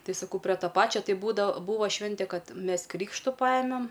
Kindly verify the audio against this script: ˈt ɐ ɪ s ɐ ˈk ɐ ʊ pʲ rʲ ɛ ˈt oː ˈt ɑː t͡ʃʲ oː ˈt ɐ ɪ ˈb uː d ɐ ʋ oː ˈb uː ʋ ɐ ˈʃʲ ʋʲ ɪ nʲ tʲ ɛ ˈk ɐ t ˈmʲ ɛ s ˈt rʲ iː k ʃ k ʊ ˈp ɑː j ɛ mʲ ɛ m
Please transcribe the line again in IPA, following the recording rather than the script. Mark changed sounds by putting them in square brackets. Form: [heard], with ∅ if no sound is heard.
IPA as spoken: ˈt ɐ ɪ s ɐ ˈk ɐ ʊ pʲ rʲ ɛ ˈt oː [ˈp] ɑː t͡ʃʲ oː ˈt ɐ ɪ ˈb uː d ɐ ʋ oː ˈb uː ʋ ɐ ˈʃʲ ʋʲ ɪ nʲ tʲ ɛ ˈk ɐ t ˈmʲ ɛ s [ˈk] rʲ iː k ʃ [t] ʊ ˈp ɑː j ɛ mʲ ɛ m